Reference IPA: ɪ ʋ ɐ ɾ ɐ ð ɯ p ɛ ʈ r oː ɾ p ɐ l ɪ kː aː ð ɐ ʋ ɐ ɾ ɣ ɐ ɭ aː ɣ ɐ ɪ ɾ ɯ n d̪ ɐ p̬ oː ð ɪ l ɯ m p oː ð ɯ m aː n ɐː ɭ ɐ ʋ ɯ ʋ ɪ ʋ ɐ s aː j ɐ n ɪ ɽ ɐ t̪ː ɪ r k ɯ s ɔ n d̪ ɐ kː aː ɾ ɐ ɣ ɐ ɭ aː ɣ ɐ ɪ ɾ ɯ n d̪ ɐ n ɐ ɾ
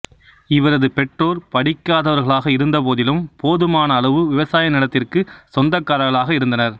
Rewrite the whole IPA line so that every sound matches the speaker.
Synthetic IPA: ɪ ʋ ɐ ɾ ɐ ð ɯ p ɛ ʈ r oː ɾ p ɐ ɽ ɪ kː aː ð ɐ ʋ ɐ ɾ ɣ ɐ ɭ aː ɣ ɐ ɪ ɾ ɯ n d̪ ɐ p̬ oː ð ɪ l ɯ m p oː ð ɯ m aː n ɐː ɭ ɐ ʋ ɯ ʋ ɪ ʋ ɐ s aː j ɐ n ɪ ɽ ɐ t̪ː ɪ r k ɯ s ɔ n d̪ ɐ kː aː ɾ ɐ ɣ ɐ ɭ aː ɣ ɐ ɪ ɾ ɯ n d̪ ɐ n ɐ ɾ